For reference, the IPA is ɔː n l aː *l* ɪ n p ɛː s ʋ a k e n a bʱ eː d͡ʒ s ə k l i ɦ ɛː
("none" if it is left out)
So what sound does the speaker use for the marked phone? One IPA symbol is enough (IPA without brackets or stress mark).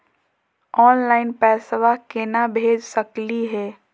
none